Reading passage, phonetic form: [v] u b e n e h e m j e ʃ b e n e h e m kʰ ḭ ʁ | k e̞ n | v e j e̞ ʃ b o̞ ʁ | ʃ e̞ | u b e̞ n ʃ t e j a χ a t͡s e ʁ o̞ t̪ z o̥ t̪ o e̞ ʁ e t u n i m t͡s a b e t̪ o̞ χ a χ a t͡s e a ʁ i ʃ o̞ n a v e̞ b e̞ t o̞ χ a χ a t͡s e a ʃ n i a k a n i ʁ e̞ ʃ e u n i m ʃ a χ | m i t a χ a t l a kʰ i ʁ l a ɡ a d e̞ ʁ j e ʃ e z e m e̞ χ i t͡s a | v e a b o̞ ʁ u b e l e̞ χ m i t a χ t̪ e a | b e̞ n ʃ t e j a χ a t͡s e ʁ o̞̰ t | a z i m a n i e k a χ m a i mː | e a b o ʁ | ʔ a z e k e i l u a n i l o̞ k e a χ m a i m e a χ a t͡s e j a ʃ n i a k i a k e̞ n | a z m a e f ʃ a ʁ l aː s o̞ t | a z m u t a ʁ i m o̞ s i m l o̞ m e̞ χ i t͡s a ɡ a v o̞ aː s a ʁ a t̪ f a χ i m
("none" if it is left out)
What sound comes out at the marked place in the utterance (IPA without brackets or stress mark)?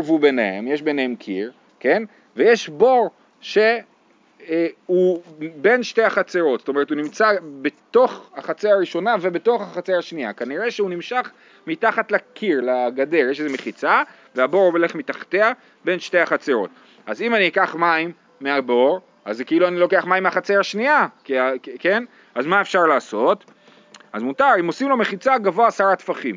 v